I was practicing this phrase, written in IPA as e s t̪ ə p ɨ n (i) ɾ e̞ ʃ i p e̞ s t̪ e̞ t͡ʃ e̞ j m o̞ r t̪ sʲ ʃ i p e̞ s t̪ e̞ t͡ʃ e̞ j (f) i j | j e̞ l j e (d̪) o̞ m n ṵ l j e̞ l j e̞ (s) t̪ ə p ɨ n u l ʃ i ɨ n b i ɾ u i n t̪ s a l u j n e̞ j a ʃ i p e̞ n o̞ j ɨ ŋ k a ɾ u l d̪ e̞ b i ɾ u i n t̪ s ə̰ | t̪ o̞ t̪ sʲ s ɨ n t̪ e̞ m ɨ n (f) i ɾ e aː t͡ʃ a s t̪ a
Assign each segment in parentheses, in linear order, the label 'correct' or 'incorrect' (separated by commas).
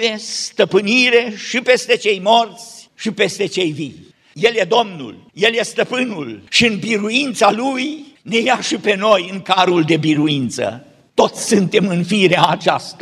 correct, incorrect, correct, correct, correct